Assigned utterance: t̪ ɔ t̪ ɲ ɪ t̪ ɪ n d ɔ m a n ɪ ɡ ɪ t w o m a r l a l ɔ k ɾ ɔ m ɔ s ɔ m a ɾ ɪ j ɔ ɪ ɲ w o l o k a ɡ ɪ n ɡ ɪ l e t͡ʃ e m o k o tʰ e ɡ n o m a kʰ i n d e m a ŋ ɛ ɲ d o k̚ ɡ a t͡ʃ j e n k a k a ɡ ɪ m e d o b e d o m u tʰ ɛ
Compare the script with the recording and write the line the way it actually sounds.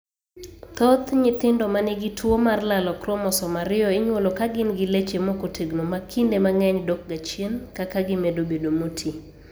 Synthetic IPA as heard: t̪ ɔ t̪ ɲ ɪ t̪ ɪ n d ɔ m a n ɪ ɡ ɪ t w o m a r l a l ɔ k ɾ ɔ m ɔ s ɔ m a ɾ ɪ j ɔ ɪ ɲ w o l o k a ɡ ɪ n ɡ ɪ l e t͡ʃ e m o k o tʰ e ɡ n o m a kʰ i n d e m a ŋ ɛ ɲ d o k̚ ɡ a t͡ʃ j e n k a k a ɡ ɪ m e d o b e d o m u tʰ i